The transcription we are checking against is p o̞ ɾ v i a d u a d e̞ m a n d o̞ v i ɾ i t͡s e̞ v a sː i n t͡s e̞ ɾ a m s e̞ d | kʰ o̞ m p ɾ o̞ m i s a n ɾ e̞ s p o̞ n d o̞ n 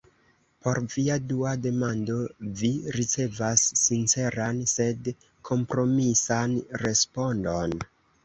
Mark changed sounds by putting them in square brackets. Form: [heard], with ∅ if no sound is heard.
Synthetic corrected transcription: p o̞ ɾ v i a d u a d e̞ m a n d o̞ v i ɾ i t͡s e̞ v a sː i n t͡s e̞ ɾ a [n] s e̞ d | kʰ o̞ m p ɾ o̞ m i s a n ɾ e̞ s p o̞ n d o̞ n